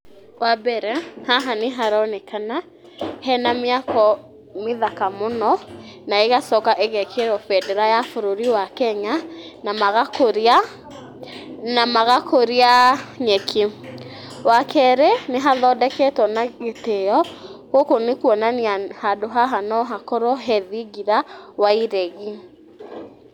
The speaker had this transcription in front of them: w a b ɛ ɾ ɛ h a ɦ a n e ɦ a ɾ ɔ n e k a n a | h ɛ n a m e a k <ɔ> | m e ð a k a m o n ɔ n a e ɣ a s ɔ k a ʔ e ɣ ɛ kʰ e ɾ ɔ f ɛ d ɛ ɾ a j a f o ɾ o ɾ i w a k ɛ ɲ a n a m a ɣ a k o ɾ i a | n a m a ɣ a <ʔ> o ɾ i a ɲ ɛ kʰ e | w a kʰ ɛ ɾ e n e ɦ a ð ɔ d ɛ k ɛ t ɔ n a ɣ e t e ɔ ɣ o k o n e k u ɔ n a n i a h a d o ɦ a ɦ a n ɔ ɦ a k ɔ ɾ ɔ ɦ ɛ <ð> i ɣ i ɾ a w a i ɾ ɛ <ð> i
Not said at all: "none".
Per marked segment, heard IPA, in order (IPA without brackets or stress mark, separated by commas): ɔ, k, ð, ɣ